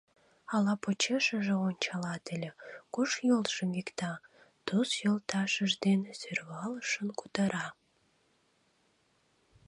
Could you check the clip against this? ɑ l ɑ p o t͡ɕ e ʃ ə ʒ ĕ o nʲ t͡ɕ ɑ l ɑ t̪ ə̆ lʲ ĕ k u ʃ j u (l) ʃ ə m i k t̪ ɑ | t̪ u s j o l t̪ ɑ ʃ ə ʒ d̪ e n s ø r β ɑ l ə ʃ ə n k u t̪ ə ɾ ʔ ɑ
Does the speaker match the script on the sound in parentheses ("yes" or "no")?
yes